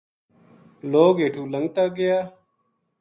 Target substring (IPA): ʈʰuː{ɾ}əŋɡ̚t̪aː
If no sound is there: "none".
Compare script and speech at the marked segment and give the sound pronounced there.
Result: l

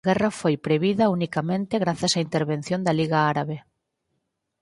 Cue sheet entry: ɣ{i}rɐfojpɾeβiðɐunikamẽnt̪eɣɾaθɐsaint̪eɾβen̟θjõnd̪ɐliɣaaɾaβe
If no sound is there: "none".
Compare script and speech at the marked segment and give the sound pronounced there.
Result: ɛ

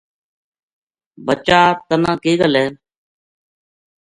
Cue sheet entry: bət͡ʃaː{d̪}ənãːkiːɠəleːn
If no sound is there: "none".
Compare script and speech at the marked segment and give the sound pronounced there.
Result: t̪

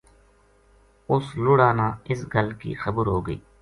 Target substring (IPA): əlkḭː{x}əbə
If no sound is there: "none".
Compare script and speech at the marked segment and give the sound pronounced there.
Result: x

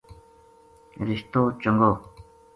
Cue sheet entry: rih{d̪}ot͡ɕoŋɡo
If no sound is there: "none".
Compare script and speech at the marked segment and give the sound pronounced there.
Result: t̪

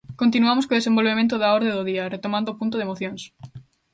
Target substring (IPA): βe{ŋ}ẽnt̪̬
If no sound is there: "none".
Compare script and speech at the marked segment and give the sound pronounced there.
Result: m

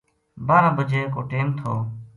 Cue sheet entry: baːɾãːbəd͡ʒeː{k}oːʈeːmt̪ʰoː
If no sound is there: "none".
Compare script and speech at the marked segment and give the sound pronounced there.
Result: k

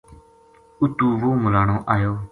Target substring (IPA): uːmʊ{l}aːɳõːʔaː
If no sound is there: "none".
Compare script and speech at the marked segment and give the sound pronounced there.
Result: l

